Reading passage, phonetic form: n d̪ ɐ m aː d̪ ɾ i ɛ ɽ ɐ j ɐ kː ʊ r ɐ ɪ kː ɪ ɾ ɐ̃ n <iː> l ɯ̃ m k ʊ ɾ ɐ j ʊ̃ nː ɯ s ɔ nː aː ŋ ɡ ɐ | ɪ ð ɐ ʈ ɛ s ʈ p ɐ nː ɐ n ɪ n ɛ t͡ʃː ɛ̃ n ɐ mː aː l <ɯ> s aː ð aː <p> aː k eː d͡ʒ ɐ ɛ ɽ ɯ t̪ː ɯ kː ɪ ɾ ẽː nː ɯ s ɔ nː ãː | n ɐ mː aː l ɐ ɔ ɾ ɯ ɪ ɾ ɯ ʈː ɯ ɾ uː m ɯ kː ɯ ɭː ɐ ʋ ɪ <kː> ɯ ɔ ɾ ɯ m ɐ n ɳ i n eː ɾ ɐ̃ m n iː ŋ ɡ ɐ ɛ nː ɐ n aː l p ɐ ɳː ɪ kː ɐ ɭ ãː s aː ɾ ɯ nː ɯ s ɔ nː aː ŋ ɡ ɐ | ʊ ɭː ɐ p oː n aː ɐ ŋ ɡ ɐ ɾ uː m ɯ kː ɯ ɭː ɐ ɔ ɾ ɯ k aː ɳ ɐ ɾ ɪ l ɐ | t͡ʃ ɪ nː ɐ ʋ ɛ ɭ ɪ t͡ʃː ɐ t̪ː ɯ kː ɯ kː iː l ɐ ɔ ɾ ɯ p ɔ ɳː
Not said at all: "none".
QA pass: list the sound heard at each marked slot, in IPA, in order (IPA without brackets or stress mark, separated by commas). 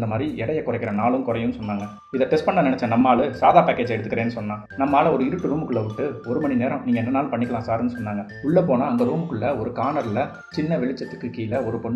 aː, ɯ, p, ʈː